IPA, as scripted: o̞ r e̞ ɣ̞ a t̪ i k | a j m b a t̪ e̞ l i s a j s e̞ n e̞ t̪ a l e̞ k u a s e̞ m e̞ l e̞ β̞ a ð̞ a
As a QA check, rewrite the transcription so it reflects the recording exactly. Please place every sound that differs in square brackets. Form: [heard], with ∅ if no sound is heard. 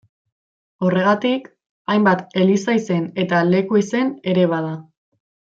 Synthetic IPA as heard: o̞ r e̞ ɣ̞ a t̪ i k | a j m b a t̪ e̞ l i s a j s e̞ n e̞ t̪ a l e̞ k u [i] s e̞ [n] e̞ [ɾ] e̞ β̞ a ð̞ a